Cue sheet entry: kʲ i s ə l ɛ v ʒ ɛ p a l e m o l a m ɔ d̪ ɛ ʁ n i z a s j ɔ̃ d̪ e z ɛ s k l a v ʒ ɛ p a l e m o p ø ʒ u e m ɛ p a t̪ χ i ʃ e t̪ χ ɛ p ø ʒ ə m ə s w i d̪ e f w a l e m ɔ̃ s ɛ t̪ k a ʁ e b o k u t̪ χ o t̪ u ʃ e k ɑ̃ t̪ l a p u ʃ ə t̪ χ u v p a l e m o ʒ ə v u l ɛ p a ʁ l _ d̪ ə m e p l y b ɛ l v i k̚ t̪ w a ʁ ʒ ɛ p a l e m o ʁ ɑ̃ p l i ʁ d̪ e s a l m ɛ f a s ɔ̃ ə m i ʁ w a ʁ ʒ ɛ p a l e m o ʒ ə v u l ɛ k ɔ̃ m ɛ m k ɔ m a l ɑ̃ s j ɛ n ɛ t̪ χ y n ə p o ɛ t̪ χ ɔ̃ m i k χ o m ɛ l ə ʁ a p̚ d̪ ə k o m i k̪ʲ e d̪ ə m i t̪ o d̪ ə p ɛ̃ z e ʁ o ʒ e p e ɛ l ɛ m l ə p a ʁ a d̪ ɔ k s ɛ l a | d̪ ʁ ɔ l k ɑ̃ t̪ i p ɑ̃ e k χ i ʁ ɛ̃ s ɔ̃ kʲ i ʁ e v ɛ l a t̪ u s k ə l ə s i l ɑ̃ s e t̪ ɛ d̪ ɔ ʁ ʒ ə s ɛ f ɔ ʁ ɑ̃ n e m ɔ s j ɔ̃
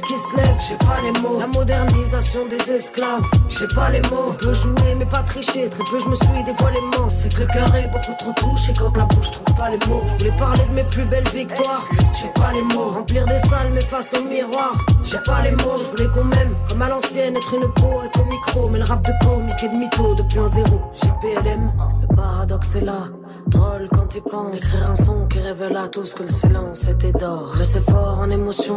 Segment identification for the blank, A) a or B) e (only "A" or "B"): B